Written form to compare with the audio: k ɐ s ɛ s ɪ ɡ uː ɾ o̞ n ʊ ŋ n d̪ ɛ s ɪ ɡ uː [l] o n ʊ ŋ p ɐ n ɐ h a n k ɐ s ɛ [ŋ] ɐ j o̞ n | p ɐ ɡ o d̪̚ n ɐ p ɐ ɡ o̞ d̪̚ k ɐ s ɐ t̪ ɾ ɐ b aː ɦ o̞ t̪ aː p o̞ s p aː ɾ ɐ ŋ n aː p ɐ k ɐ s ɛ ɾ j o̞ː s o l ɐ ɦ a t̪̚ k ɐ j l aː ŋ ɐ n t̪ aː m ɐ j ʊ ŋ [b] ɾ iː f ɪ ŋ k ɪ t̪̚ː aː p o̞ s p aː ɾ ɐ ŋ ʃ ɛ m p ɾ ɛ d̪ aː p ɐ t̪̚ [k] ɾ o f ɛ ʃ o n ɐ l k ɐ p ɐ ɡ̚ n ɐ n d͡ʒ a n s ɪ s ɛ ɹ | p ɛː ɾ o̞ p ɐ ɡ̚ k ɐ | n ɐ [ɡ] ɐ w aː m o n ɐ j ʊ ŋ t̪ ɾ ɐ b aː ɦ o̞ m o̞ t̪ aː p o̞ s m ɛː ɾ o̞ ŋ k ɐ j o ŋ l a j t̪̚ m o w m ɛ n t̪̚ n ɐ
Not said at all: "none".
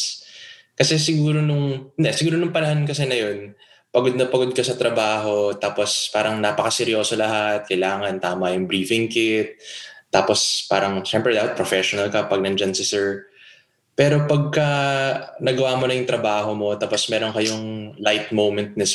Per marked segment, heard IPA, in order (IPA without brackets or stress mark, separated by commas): ɾ, n, b, p, ɡ